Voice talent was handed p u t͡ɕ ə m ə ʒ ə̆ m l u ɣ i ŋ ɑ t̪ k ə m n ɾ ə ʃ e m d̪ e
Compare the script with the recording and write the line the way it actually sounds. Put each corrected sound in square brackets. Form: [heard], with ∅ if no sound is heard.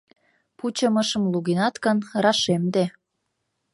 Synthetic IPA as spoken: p u t͡ɕ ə m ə [ʃ] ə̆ m l u ɣ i [n] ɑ t̪ k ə [∅] n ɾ [ɑ] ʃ e m d̪ e